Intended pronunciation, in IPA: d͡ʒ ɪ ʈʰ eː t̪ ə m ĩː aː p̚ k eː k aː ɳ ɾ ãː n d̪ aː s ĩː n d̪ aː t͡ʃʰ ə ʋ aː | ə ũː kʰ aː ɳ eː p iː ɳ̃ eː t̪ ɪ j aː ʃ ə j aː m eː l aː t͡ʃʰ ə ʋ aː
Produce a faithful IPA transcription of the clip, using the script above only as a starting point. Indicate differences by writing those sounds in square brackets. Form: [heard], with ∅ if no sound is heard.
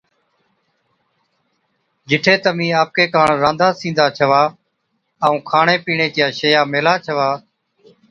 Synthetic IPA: d͡ʒ ɪ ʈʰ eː t̪ ə m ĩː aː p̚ k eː k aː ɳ ɾ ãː n d̪ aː s ĩː n d̪ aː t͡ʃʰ ə ʋ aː | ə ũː kʰ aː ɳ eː p iː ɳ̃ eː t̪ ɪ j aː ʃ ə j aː m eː l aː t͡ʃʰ ə ʋ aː